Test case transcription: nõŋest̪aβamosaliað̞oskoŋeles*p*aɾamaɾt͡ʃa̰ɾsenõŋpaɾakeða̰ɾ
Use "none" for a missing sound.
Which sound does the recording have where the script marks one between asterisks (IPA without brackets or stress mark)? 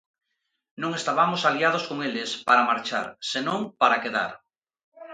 p